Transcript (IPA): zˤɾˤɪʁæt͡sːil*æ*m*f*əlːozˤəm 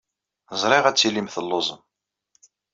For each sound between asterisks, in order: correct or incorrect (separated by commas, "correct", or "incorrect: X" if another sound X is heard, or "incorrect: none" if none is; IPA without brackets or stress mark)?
incorrect: i, incorrect: θ